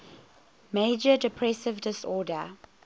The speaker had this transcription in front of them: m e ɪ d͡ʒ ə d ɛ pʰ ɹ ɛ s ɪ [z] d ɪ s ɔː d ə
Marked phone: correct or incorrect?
incorrect